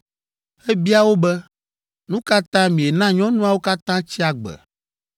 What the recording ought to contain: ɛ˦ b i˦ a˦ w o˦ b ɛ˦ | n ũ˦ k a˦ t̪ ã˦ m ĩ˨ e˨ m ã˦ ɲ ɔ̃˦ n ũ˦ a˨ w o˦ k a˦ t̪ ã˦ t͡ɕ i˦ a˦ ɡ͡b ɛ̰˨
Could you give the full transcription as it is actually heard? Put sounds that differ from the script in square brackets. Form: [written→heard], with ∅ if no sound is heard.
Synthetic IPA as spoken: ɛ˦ b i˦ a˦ w o˦ b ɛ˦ | n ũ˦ k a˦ t̪ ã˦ m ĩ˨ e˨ [m→n] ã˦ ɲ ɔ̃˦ n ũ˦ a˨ w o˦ k a˦ t̪ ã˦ t͡ɕ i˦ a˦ ɡ͡b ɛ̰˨

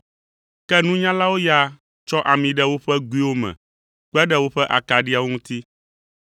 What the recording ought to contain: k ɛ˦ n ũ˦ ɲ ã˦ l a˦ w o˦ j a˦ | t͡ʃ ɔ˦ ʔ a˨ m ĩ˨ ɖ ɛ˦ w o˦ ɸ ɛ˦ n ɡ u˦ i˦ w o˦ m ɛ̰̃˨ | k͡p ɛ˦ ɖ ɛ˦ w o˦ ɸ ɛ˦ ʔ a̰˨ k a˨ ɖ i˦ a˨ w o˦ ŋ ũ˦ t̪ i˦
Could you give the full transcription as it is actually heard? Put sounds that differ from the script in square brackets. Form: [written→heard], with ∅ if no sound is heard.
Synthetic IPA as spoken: k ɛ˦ n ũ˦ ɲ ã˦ l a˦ w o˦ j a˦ | t͡ʃ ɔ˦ ʔ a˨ m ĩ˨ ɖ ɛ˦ w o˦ ɸ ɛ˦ [n→∅] ɡ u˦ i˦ w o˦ m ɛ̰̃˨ | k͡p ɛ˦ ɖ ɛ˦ w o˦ ɸ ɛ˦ ʔ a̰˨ k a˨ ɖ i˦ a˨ w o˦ ŋ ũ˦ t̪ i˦

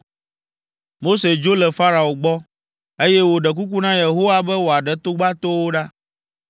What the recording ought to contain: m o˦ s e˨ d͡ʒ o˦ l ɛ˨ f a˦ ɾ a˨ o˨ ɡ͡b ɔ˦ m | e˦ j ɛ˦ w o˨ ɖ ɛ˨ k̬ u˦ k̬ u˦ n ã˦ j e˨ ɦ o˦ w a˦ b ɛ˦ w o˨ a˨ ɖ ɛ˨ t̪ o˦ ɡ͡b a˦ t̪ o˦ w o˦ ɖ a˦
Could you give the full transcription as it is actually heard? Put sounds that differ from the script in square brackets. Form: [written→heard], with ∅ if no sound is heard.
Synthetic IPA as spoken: m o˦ s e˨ d͡ʒ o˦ l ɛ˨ f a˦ ɾ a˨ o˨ ɡ͡b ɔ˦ [m→∅] | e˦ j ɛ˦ w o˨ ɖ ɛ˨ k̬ u˦ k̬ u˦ n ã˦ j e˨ ɦ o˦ w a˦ b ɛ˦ w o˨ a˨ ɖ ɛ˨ t̪ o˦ ɡ͡b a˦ t̪ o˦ w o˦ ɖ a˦

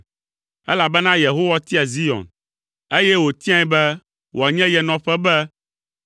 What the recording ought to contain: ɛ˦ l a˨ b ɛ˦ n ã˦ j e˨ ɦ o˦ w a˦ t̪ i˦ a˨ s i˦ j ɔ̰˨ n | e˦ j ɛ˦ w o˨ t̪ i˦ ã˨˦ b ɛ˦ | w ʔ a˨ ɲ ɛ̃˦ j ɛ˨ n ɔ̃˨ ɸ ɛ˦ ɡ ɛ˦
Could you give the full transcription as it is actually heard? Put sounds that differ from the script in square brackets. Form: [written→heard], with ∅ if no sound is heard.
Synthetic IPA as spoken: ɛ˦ l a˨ b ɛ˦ n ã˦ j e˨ ɦ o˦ w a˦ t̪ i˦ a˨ [s→z] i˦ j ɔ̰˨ n | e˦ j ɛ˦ w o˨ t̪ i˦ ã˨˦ b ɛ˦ | w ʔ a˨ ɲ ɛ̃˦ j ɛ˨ n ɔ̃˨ ɸ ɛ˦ [ɡ→b] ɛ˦

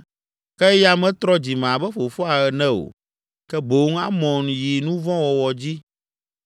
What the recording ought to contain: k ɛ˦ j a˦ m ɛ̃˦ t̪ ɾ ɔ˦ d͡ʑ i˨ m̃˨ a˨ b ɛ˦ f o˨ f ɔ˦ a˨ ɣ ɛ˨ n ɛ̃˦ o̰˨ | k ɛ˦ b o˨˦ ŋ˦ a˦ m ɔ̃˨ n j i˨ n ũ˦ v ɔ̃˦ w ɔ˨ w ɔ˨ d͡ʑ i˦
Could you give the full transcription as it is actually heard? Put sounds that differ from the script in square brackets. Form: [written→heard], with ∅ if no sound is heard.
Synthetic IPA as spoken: k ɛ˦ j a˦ m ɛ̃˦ t̪ ɾ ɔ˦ d͡ʑ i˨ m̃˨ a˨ b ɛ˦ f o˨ f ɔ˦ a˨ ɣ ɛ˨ n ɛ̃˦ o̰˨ | k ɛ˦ b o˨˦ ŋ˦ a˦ m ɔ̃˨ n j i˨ n ũ˦ v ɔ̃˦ w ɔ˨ w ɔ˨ d͡ʑ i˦

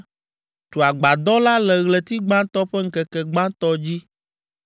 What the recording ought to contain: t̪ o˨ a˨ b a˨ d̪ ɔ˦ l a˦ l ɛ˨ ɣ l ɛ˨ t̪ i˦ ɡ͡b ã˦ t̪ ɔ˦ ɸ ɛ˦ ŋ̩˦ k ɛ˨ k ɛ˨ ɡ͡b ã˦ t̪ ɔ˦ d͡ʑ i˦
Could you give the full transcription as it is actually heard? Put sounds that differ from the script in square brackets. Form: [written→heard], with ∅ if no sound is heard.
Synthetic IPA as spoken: t̪ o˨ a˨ [b→ɡ͡b] a˨ d̪ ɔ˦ l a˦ l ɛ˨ ɣ l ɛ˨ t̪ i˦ ɡ͡b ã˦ t̪ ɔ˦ ɸ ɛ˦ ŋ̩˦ k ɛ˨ k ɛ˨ ɡ͡b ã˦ t̪ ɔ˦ d͡ʑ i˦

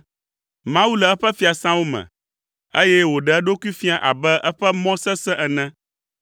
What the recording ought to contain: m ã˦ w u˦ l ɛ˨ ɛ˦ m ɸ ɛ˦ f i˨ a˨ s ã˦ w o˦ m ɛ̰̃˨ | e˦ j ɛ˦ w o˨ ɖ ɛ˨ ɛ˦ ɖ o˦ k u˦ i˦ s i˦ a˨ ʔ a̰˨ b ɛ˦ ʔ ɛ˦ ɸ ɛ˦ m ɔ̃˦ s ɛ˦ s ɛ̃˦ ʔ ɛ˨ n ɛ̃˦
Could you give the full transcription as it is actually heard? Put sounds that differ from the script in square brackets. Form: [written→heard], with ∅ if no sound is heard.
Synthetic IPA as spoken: m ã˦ w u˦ l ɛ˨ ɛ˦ [m→∅] ɸ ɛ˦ f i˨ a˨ s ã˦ w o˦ m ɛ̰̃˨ | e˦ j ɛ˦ w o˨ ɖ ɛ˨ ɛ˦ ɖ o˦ k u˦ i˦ [s→f] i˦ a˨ ʔ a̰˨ b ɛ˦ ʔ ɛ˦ ɸ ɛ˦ m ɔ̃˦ s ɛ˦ s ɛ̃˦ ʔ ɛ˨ n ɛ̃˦

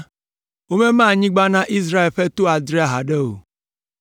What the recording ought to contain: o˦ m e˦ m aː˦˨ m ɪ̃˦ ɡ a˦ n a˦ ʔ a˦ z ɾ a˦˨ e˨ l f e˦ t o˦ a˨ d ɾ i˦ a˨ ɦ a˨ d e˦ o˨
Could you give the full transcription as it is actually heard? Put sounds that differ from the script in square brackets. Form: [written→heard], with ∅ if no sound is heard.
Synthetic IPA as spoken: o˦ m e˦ m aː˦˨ [m→ɲ] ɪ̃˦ [ɡ→ɡ͡b] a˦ n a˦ ʔ [a˦→i˦] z ɾ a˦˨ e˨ l f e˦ t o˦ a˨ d ɾ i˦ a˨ ɦ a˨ d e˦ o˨

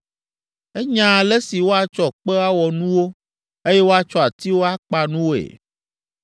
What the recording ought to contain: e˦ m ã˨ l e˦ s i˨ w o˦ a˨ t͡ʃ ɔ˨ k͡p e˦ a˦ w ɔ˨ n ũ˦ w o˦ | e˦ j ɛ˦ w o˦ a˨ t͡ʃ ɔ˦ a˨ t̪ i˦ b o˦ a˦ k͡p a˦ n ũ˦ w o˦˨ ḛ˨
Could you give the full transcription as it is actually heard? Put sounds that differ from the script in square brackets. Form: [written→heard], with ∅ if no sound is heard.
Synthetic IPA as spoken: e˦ [m→ɲ] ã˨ l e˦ s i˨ w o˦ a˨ t͡ʃ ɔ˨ k͡p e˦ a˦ w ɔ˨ n ũ˦ w o˦ | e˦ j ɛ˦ w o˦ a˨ t͡ʃ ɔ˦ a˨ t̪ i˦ [b→w] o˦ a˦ k͡p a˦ n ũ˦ w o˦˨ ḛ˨

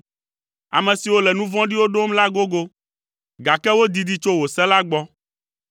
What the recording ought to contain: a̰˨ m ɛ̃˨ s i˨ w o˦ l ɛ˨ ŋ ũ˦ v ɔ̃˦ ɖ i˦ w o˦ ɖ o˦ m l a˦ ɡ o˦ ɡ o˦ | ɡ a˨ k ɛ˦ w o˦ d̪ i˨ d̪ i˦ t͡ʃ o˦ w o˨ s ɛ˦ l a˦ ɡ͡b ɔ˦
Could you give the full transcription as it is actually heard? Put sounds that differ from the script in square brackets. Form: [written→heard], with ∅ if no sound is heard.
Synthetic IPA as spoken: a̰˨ m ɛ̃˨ s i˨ w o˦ l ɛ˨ [ŋ→n] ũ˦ v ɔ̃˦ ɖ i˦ w o˦ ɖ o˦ m l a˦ ɡ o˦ ɡ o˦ | ɡ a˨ k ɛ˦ w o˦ d̪ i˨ d̪ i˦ t͡ʃ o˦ w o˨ s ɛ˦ l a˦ ɡ͡b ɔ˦

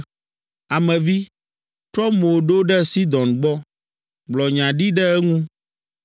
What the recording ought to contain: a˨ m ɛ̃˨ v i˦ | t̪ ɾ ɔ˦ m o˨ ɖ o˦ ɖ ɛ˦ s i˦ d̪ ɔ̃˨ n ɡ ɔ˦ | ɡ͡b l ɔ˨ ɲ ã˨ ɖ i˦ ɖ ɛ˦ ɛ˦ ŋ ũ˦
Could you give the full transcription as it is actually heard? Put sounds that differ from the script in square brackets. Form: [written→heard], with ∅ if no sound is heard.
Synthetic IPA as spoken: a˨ m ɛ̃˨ v i˦ | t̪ ɾ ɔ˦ m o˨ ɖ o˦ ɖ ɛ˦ s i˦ d̪ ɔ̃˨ n [ɡ→ɡ͡b] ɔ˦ | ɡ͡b l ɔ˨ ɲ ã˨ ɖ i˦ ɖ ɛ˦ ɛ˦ ŋ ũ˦

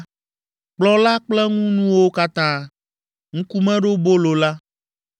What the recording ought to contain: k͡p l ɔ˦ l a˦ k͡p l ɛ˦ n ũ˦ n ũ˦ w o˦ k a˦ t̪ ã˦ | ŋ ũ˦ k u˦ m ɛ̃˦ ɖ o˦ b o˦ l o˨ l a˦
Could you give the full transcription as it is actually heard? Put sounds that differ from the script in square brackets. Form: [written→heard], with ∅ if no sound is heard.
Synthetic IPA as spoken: k͡p l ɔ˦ l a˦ k͡p l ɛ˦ [n→ŋ] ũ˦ n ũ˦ w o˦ k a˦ t̪ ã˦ | ŋ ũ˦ k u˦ m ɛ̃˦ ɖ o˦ b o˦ l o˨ l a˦

